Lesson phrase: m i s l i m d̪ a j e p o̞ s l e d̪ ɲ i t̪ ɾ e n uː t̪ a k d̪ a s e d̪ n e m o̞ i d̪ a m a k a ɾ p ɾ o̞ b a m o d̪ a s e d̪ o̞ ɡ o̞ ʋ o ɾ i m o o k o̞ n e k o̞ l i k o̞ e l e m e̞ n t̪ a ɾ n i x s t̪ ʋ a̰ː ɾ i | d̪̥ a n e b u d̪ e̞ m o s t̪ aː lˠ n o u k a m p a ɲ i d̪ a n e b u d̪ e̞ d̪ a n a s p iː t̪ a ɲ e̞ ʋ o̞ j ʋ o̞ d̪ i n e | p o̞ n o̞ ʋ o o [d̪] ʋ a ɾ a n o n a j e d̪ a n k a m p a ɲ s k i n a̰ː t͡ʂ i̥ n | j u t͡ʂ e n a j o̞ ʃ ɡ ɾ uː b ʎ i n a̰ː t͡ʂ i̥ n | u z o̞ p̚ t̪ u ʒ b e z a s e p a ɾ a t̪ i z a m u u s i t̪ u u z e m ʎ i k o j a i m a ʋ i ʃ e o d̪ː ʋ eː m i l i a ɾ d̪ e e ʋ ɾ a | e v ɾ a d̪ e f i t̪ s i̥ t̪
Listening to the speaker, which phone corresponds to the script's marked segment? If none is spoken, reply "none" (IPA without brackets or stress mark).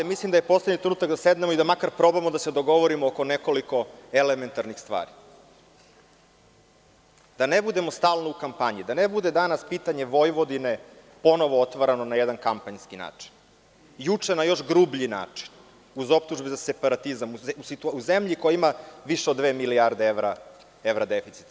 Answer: t̪